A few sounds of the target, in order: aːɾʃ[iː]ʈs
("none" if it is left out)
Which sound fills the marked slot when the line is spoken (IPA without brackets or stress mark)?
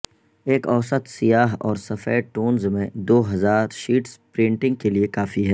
iː